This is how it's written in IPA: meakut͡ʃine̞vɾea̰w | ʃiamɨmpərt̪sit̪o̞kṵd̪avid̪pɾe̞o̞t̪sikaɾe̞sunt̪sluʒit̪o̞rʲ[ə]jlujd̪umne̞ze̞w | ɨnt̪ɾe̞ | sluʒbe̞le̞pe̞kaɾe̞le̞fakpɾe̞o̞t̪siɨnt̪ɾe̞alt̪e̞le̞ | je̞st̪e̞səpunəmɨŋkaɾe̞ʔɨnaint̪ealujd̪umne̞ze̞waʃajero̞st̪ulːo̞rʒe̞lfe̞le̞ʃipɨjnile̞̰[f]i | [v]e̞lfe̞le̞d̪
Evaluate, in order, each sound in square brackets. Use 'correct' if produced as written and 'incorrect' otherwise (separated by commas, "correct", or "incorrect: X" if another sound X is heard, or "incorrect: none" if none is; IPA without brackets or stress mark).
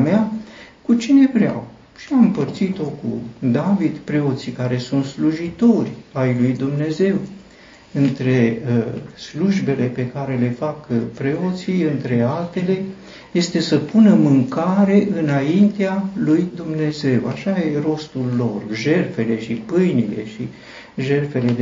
incorrect: a, incorrect: ʃ, incorrect: ʒ